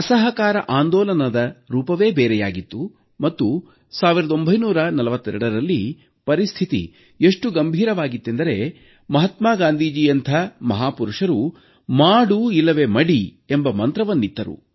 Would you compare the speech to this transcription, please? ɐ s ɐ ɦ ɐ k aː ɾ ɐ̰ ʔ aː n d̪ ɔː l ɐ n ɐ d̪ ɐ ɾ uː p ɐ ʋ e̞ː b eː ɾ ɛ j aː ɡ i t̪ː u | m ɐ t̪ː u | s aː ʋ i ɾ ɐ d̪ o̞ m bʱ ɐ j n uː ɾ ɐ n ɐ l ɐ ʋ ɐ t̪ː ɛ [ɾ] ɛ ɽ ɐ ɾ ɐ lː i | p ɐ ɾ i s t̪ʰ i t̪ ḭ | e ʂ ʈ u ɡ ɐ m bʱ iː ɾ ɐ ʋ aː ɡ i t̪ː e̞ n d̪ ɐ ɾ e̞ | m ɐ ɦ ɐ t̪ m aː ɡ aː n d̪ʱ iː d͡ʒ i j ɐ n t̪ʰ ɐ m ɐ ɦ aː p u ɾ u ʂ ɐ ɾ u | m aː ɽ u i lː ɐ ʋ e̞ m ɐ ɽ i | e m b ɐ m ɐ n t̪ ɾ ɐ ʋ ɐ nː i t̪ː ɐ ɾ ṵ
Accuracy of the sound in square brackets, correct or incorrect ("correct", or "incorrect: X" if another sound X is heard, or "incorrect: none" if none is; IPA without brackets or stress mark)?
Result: correct